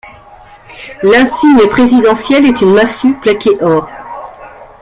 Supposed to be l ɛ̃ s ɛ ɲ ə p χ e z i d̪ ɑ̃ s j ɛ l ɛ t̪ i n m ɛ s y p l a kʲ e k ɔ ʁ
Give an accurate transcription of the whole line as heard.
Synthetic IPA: l ɛ̃ s i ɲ ə p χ e z i d̪ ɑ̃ s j ɛ l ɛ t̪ y n m a s y p l a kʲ e ʔ ɔ ʁ

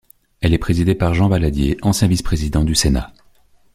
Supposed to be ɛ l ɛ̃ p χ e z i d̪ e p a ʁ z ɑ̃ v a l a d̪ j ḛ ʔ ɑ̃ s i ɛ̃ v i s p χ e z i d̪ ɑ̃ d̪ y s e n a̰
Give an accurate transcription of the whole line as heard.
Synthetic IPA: ɛ l ɛ p χ e z i d̪ e p a ʁ ʒ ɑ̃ v a l a d̪ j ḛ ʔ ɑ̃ s j ɛ̃ v i s p χ e z i d̪ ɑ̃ d̪ y s e n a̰

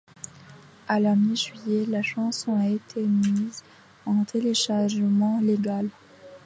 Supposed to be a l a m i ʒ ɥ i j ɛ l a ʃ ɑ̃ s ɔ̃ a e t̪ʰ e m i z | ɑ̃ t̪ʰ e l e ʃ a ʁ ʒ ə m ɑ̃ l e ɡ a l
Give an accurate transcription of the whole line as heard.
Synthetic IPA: a l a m i ʒ ɥ i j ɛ l a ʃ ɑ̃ s ɔ̃ a e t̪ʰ e m i z | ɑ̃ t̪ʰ e l e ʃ a ʁ ʒ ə m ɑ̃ l e ɡ a l

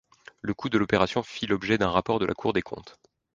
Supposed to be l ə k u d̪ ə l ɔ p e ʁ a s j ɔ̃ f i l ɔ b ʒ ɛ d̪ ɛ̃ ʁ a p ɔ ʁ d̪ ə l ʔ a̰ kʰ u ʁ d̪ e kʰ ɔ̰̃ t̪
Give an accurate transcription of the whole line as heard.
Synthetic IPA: l ə k u d̪ ə l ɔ p e ʁ a s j ɔ̃ f i l ɔ b ʒ ɛ d̪ ɛ̃ ʁ a p ɔ ʁ d̪ ə l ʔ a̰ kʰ u ʁ d̪ e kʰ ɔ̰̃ t̪

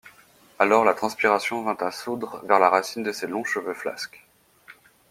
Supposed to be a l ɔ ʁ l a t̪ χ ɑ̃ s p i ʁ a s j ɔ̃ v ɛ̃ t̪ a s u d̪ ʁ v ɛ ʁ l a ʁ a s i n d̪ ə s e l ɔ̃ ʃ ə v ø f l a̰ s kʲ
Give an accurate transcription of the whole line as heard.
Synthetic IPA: a l ɔ ʁ l a t̪ χ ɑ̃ s p i ʁ a s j ɔ̃ v ɛ̃ t̪ a s u d̪ ʁ v ɛ ʁ l a ʁ a s i n d̪ ə s e l ɔ̃ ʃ ə v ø f l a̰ s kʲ

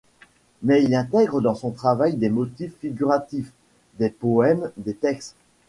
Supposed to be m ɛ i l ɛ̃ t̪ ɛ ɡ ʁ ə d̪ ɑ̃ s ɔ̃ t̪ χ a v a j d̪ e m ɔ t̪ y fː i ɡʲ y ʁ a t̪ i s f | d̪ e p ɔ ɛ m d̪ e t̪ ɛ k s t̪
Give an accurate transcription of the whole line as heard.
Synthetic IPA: m ɛ i l ɛ̃ t̪ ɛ ɡ ʁ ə d̪ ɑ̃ s ɔ̃ t̪ χ a v a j d̪ e m ɔ t̪ i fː i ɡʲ y ʁ a t̪ i f | d̪ e p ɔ ɛ m d̪ e t̪ ɛ k s t̪

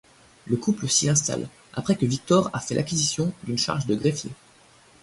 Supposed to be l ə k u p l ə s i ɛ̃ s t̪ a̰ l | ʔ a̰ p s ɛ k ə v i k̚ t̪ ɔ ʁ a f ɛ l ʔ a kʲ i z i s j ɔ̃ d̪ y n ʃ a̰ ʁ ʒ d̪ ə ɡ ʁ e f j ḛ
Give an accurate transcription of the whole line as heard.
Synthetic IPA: l ə k u p l ə s i ɛ̃ s t̪ a̰ l | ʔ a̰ p χ ɛ k ə v i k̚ t̪ ɔ ʁ a f ɛ l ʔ a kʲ i z i s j ɔ̃ d̪ y n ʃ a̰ ʁ ʒ d̪ ə ɡ ʁ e f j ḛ

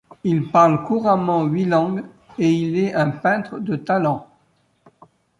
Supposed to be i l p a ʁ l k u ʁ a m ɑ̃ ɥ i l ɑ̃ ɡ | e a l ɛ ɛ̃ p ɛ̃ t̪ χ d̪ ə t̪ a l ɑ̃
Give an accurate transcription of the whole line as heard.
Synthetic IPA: i l p a ʁ l k u ʁ a m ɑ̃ ɥ i l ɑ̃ ɡ | e i l ɛ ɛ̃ p ɛ̃ t̪ χ d̪ ə t̪ a l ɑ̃

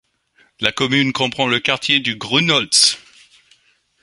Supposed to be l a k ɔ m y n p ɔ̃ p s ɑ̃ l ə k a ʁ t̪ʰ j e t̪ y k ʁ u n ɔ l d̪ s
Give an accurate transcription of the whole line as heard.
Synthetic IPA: l a k ɔ m y n k ɔ̃ p χ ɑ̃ l ə k a ʁ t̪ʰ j e d̪ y ɡ ʁ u n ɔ l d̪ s

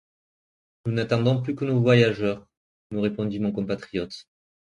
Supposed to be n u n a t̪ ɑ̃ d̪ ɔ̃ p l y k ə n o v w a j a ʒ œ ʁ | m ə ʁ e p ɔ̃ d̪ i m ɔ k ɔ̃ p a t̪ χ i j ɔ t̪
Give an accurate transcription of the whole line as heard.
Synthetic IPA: n u n a t̪ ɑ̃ d̪ ɔ̃ p l y k ə n o v w a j a ʒ œ ʁ | m ə ʁ e p ɔ̃ d̪ i m ɔ̃ k ɔ̃ p a t̪ χ i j ɔ t̪

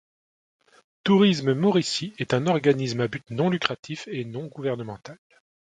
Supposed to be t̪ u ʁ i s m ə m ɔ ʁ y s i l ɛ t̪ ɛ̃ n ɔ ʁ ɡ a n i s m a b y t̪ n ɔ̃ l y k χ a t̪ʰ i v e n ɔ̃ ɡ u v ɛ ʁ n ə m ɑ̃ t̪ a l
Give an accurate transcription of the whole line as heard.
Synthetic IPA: t̪ u ʁ i s m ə m ɔ ʁ i s i ɛ t̪ ɛ̃ n ɔ ʁ ɡ a n i s m a b y t̪ n ɔ̃ l y k χ a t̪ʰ i f e n ɔ̃ ɡ u v ɛ ʁ n ə m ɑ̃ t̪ a l

